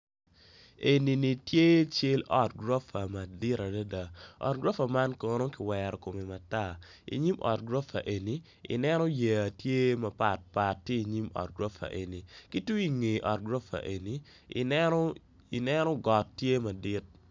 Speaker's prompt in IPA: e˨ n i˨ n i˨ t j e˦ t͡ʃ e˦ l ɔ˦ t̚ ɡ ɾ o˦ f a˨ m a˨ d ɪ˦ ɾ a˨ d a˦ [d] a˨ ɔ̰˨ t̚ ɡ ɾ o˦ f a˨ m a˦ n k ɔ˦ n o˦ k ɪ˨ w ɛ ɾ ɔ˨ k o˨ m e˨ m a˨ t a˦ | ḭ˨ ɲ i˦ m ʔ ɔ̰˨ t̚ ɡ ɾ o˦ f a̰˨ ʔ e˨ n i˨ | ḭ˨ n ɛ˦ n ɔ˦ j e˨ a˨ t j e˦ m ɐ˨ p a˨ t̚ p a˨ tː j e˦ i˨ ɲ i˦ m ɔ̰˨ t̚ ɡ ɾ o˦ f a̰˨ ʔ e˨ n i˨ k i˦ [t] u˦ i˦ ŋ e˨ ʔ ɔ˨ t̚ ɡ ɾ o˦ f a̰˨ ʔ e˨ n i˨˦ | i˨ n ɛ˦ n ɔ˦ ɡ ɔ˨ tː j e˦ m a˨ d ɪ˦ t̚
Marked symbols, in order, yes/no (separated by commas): yes, yes